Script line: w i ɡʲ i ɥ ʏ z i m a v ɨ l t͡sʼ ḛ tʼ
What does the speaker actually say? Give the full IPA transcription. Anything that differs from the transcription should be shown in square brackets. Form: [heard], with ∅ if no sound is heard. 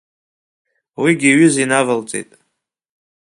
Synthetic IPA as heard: w i ɡʲ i ɥ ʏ z i [n] a v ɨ l t͡sʼ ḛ tʼ